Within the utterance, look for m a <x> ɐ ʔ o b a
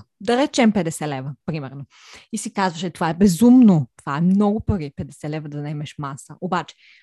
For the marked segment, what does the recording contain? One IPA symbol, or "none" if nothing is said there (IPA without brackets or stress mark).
s